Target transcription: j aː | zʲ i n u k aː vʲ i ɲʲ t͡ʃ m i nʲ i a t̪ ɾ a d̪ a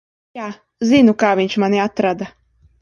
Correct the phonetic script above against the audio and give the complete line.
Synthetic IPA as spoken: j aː | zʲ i n u k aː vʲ i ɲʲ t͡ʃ m a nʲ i a t̪ ɾ a d̪ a